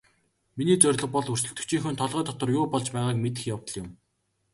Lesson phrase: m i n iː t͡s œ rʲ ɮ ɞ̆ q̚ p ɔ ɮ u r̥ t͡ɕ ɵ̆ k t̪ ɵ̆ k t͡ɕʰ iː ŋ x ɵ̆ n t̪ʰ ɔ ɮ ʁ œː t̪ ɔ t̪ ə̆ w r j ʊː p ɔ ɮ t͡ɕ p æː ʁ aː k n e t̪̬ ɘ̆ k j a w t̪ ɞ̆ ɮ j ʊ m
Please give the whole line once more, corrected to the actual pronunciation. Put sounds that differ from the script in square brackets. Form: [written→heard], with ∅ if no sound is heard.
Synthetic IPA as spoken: m i n iː t͡s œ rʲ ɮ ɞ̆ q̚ p ɔ ɮ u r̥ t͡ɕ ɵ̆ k t̪ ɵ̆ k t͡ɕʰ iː ŋ x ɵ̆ n t̪ʰ ɔ ɮ ʁ œː t̪ ɔ t̪ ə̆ [w→∅] r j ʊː p ɔ ɮ t͡ɕ p æː ʁ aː k [n→m] e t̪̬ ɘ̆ [k→x] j a w t̪ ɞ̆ ɮ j ʊ m